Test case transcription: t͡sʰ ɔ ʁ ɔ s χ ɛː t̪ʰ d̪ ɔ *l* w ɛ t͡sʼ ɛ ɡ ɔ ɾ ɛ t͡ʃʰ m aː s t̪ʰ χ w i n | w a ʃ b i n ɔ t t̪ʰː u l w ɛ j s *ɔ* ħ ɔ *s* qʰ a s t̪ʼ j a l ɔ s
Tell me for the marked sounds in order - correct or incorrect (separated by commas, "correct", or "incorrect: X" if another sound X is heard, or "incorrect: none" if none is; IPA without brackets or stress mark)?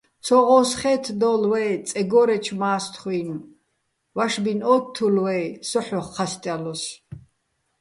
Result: correct, correct, incorrect: χ